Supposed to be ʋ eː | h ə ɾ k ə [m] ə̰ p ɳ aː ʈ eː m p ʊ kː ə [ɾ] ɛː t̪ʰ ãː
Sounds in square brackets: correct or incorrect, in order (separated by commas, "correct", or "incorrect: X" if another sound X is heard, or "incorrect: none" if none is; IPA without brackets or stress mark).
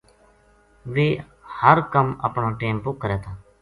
correct, correct